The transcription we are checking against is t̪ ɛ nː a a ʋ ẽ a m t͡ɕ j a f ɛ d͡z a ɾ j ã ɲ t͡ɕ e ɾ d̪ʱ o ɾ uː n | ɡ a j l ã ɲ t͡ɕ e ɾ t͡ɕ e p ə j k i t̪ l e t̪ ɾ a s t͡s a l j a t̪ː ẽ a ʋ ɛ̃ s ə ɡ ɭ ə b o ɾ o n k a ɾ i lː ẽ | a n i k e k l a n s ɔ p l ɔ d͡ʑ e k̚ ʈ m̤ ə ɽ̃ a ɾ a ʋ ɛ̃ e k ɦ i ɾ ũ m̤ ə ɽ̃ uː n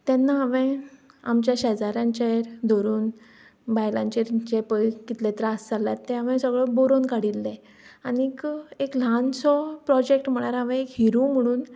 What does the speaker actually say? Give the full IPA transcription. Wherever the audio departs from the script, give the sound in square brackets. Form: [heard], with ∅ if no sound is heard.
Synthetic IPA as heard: t̪ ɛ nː a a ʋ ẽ a m t͡ɕ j a [ɕ] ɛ d͡z a ɾ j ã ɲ t͡ɕ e ɾ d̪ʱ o ɾ uː n | [b] a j l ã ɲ t͡ɕ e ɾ t͡ɕ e p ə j k i t̪ l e t̪ ɾ a s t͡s a l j a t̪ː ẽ a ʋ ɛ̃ s ə ɡ ɭ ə b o ɾ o n k a [ɽ] i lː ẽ | a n i k e k l a n s ɔ p [ɾ] ɔ d͡ʑ e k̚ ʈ m̤ ə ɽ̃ a ɾ a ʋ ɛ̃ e k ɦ i ɾ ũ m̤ ə ɽ̃ uː n